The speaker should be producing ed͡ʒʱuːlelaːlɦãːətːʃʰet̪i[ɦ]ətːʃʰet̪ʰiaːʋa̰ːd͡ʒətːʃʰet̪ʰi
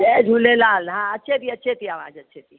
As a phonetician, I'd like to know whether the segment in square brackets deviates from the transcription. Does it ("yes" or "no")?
yes